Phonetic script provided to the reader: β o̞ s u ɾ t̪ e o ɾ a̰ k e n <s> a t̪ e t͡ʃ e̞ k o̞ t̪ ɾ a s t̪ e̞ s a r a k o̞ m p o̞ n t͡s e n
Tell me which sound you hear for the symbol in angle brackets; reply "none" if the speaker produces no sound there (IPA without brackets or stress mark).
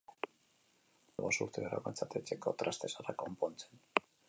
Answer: t͡s